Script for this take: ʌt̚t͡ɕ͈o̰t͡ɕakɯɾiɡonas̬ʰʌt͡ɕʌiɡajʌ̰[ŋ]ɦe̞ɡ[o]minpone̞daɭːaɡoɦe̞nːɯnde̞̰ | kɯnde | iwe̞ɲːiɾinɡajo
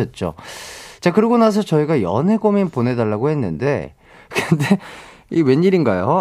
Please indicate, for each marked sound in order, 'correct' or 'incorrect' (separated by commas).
incorrect, correct